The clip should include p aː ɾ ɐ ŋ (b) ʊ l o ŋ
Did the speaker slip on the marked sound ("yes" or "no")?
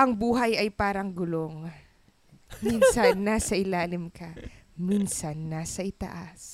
yes